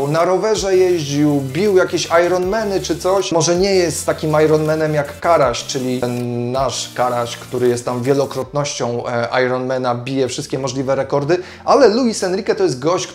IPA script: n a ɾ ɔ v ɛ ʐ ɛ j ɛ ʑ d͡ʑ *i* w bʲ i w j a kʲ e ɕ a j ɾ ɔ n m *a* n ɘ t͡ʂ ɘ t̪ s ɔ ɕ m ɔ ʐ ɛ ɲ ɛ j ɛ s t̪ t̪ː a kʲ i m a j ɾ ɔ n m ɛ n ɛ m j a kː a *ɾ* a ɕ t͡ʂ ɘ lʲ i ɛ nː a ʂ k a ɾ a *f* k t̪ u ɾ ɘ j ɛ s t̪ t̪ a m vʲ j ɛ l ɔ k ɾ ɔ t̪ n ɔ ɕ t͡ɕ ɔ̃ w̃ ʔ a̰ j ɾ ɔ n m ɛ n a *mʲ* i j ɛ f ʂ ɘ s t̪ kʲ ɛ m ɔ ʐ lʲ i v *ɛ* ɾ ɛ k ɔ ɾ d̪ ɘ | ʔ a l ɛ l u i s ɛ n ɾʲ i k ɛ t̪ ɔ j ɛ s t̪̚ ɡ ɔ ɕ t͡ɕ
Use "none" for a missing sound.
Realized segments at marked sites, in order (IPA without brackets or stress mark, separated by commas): i, ɛ, ɾ, ɕ, bʲ, ɛ